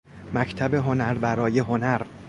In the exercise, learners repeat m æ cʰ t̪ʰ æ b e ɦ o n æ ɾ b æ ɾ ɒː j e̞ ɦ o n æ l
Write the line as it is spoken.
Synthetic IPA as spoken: m æ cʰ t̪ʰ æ b e ɦ o n æ ɾ b æ ɾ ɒː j e̞ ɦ o n æ ɾ